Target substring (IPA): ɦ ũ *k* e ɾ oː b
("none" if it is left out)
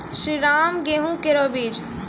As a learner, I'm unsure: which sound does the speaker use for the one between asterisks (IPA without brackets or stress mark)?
k